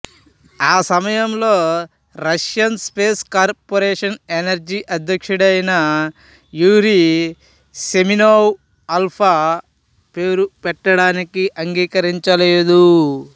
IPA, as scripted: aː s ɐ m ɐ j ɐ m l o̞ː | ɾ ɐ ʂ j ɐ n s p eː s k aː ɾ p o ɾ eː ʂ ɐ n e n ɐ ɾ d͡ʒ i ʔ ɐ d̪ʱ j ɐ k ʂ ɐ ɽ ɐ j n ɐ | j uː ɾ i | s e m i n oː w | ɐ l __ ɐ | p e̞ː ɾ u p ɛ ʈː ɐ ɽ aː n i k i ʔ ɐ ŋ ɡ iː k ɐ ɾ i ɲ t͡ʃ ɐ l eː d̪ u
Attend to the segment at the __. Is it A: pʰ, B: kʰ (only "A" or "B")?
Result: A